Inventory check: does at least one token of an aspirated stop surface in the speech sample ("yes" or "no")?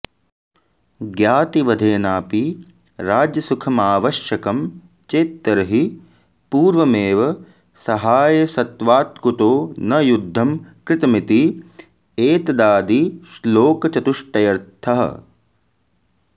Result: yes